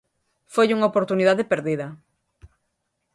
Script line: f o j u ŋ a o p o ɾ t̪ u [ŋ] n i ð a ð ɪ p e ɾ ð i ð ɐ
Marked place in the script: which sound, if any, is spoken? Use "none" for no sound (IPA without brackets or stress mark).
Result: none